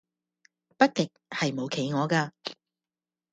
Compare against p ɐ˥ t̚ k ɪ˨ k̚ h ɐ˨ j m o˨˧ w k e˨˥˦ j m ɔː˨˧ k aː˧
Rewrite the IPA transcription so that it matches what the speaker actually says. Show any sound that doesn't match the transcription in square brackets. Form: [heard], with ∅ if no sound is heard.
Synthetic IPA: p ɐ˥ t̚ k ɪ˨ k̚ h ɐ˨ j m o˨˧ w [kʰ] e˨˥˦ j [ŋ] ɔː˨˧ k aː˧